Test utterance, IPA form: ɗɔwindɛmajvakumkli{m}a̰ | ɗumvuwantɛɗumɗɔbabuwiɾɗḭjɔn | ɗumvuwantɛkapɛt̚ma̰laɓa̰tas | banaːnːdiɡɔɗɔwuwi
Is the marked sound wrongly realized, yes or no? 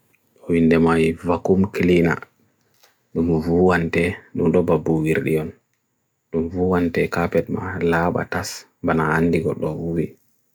yes